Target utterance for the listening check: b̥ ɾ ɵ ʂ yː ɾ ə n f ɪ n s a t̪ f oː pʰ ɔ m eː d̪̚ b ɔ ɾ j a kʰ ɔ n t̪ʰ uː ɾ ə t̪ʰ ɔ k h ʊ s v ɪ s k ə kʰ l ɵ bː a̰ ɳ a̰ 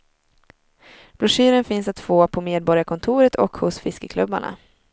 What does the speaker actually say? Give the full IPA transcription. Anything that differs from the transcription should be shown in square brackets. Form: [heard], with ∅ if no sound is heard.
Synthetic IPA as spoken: b̥ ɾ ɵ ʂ yː ɾ ə n f ɪ n s a t̪ f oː pʰ ɔ m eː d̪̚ b ɔ ɾ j a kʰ ɔ n t̪ʰ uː ɾ ə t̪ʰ ɔ k h ʊ s [f] ɪ s k ə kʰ l ɵ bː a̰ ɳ a̰